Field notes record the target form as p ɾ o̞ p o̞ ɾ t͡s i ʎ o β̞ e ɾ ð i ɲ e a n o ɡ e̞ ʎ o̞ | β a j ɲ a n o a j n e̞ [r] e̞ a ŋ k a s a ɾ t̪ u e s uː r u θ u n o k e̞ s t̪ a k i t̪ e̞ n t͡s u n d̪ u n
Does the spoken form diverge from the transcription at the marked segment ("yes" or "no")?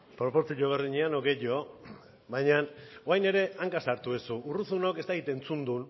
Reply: yes